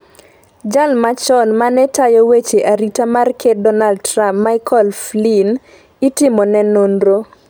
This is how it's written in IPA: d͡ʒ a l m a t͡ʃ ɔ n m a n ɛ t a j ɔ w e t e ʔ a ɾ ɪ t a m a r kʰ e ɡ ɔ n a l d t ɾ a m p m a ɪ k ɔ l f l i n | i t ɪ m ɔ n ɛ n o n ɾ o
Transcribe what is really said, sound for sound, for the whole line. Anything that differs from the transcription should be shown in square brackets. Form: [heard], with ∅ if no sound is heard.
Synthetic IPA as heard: d͡ʒ a l m a t͡ʃ ɔ n m a n ɛ t a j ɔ w e [t͡ʃ] e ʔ a ɾ [i] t a m a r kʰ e [d] ɔ n a l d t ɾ a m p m a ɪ k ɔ l f l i n | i t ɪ m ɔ n ɛ n o n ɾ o